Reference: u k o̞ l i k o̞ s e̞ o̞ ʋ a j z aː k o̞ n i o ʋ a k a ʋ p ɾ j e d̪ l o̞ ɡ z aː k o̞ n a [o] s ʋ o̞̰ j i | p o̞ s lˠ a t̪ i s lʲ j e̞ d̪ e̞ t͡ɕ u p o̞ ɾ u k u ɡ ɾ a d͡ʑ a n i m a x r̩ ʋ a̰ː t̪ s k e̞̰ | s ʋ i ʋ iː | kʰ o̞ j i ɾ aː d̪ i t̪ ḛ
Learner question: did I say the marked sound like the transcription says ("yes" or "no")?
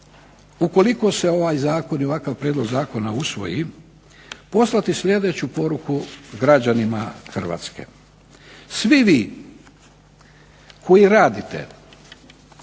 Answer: no